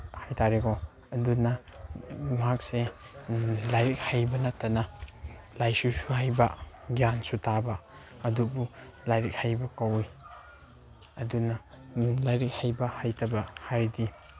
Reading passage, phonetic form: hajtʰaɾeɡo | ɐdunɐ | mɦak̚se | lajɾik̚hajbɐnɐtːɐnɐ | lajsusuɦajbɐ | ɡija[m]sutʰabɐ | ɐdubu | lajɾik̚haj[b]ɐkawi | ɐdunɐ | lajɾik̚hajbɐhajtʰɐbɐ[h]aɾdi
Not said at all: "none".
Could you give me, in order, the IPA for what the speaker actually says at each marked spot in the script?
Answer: n, b, h

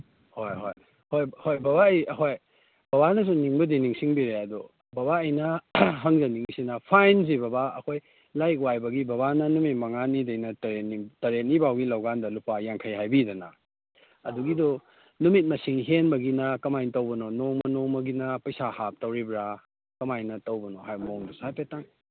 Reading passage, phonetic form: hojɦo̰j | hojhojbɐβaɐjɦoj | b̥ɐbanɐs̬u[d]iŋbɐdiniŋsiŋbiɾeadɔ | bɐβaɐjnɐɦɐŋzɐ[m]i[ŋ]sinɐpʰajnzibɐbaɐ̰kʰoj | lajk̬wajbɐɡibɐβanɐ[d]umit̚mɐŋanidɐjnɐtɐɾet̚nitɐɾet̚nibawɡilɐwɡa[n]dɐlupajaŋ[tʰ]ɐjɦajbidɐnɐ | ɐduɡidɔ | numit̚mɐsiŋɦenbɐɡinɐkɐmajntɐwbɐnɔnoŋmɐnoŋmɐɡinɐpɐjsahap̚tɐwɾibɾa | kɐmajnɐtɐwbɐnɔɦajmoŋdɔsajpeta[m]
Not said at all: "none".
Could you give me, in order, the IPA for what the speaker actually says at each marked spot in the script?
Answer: n, n, ŋ, n, n, kʰ, ŋ

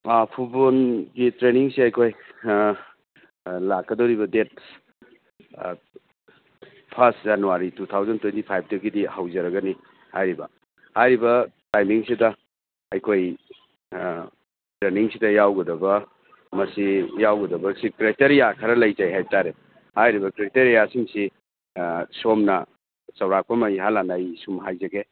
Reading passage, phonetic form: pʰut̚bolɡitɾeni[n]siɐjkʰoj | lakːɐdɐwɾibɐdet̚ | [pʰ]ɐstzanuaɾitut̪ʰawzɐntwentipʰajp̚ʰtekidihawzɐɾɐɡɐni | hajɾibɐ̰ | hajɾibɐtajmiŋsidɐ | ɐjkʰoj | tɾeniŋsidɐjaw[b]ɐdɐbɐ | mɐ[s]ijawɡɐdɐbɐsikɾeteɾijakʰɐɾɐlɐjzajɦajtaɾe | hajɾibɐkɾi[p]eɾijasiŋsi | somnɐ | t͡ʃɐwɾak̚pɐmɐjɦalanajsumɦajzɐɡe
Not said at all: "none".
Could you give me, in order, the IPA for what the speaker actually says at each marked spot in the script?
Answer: ŋ, pʰ, ɡ, s, t

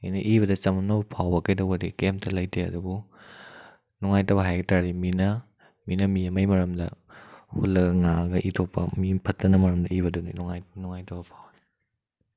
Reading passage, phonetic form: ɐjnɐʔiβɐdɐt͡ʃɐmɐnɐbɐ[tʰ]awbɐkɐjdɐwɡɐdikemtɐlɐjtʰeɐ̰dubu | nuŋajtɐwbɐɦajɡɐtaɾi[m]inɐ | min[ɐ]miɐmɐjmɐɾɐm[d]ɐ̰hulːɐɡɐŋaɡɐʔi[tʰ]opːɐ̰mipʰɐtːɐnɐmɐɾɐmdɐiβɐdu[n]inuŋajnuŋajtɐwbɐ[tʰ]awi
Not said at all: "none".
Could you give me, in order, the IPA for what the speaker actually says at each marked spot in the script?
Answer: pʰ, m, ɐ, d, tʰ, n, pʰ

